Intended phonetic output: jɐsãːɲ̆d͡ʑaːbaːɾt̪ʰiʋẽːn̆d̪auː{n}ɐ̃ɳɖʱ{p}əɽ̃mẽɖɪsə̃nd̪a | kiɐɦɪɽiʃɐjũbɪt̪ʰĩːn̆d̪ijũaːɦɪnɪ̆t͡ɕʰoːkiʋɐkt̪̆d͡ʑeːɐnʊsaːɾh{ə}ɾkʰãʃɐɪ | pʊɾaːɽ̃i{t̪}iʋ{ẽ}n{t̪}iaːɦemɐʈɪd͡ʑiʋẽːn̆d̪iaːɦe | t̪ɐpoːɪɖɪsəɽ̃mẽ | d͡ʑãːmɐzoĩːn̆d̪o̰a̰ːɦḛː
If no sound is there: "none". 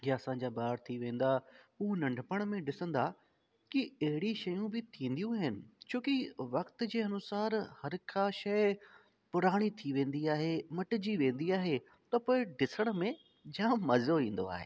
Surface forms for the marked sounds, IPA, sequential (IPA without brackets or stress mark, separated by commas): n, p, ɐ, t̪ʰ, ẽː, d̪